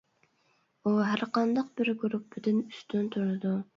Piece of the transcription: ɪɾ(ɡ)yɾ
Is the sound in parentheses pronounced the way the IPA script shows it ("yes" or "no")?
yes